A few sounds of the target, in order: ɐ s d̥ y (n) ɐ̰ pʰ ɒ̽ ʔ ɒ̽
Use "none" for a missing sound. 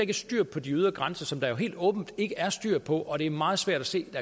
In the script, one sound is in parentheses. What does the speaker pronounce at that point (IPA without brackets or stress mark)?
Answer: none